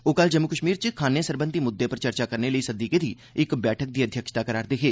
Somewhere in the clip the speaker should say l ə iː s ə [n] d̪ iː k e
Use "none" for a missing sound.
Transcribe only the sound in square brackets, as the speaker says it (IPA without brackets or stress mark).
none